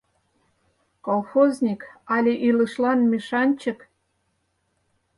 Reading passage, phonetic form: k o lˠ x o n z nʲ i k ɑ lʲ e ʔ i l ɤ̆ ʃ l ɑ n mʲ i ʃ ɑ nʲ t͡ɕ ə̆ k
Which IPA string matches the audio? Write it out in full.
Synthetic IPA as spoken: k o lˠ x o z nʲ i k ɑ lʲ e ʔ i l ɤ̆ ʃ l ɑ n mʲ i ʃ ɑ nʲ t͡ɕ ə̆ k